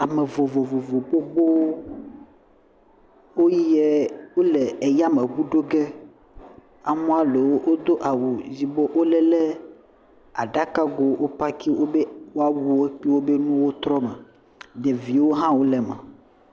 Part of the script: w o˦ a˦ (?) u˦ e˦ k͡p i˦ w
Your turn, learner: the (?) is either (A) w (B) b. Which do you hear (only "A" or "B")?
A